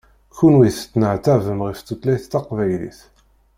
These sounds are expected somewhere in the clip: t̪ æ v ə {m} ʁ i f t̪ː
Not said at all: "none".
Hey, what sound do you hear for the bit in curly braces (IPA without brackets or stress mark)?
m